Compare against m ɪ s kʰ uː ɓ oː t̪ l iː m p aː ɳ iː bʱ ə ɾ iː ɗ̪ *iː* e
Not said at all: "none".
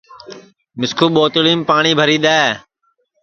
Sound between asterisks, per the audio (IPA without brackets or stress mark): aː